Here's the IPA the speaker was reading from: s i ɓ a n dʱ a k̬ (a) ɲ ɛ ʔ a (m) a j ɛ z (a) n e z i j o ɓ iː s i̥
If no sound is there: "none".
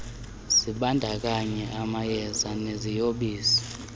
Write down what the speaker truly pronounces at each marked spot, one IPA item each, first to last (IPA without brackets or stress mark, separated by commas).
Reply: a, m, a